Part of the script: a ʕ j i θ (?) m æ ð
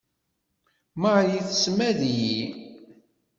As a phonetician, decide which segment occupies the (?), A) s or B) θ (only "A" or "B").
A